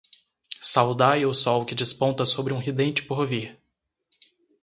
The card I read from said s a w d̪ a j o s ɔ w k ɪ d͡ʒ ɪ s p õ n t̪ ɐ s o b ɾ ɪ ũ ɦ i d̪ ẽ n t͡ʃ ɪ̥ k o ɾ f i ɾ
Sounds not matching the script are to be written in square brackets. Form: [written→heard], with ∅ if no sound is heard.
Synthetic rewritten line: s a w d̪ a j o s ɔ w k ɪ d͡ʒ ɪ s p õ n t̪ ɐ s o b ɾ ɪ ũ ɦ i d̪ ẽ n t͡ʃ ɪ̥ [k→p] o ɾ [f→v] i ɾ